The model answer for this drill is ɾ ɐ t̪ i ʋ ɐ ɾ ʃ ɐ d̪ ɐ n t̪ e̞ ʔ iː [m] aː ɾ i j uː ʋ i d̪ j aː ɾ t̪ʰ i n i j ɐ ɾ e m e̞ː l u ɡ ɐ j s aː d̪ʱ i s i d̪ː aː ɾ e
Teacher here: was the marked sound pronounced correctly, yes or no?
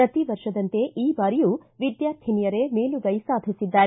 no